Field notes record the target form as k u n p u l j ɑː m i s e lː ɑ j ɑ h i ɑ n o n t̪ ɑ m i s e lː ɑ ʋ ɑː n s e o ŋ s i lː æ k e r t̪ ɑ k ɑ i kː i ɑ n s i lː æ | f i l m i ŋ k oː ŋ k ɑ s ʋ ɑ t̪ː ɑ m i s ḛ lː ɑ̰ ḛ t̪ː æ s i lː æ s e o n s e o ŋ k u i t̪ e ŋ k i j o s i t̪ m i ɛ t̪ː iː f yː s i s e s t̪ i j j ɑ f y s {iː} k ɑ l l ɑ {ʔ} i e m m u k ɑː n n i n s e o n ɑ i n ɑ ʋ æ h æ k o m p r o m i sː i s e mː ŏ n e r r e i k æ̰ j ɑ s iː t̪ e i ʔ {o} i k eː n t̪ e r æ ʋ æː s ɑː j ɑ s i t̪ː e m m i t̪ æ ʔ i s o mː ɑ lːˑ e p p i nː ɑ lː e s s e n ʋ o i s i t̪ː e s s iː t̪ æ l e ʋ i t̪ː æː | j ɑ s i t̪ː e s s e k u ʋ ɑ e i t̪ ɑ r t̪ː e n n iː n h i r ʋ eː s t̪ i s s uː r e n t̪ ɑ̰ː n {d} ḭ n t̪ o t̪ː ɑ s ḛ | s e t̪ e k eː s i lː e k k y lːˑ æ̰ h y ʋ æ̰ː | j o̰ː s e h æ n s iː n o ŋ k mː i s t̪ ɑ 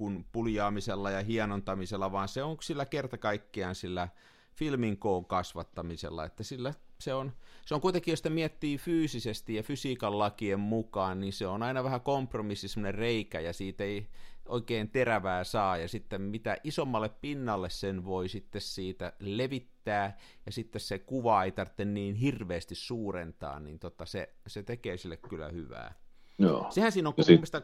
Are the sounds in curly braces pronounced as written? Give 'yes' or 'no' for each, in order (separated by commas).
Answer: yes, no, yes, no